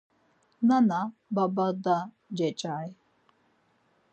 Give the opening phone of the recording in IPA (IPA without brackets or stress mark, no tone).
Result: n